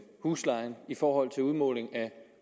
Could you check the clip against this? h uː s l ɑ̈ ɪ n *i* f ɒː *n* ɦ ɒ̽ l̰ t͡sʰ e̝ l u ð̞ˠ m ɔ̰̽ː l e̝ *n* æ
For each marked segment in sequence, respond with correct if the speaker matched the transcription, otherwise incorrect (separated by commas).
correct, incorrect, incorrect